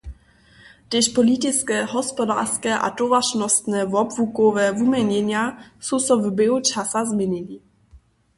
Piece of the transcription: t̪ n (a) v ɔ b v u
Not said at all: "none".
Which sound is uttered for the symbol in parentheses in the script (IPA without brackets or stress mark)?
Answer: ɛ